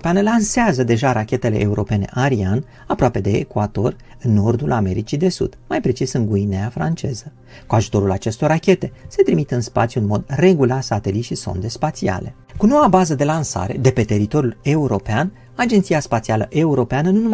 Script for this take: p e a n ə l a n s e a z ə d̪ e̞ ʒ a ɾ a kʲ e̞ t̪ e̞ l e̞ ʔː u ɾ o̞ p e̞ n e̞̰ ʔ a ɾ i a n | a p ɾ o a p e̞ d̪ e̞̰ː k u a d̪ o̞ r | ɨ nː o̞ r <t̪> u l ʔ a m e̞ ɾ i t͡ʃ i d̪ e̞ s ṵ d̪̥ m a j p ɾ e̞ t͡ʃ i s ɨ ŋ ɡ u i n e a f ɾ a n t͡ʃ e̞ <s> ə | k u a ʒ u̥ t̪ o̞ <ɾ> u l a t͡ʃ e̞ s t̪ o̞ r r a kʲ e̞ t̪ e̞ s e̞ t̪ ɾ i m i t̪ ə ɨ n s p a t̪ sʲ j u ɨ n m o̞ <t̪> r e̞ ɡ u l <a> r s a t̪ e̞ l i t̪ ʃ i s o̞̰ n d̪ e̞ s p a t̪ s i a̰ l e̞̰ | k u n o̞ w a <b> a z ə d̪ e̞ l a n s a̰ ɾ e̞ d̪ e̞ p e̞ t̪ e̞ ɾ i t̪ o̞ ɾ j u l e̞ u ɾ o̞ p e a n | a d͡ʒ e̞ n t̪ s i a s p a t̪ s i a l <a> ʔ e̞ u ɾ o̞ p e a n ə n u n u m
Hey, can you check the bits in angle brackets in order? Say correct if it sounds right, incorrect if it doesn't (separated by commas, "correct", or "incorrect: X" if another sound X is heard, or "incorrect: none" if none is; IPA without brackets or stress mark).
incorrect: d̪, incorrect: z, correct, incorrect: d̪, correct, correct, incorrect: ə